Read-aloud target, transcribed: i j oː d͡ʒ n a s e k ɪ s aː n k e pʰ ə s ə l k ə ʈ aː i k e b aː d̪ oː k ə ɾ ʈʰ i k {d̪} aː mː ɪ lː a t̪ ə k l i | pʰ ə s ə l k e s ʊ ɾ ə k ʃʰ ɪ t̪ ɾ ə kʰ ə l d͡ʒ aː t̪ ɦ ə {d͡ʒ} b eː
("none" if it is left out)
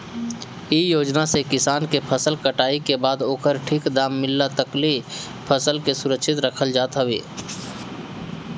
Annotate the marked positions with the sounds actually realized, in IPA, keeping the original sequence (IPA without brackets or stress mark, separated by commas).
d̪, none